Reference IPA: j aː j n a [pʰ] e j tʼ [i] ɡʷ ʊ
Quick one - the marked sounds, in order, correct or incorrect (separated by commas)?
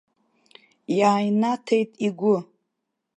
incorrect, correct